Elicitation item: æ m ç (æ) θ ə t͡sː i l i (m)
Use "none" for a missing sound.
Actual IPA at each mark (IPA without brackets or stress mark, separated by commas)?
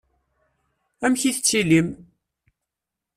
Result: i, m